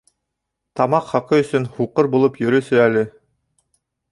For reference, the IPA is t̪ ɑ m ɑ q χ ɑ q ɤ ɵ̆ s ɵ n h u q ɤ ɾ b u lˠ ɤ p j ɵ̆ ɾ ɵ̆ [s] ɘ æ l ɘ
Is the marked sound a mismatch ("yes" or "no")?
no